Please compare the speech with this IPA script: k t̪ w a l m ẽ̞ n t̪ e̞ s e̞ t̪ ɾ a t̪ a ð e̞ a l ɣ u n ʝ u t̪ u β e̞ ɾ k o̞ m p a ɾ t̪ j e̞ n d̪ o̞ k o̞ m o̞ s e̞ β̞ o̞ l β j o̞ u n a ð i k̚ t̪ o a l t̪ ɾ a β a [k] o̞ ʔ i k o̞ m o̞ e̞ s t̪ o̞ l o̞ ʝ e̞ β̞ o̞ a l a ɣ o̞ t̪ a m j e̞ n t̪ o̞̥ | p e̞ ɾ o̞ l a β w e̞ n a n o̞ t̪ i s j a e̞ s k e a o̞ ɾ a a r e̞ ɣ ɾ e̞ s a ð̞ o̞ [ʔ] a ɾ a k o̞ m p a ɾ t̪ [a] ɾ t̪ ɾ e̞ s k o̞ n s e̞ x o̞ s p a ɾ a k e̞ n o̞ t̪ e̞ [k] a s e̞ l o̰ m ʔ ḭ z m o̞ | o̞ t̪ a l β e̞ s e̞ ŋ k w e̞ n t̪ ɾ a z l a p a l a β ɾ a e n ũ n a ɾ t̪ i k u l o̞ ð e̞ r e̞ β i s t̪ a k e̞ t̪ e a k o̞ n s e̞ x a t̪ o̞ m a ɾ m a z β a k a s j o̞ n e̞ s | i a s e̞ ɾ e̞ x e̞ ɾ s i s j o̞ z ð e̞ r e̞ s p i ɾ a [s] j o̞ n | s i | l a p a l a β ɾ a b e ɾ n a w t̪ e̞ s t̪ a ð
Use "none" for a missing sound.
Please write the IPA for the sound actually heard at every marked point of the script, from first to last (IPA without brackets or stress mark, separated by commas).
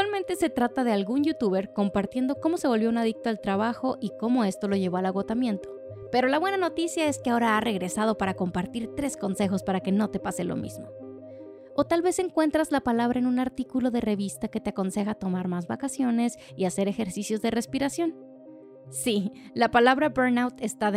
x, p, i, p, s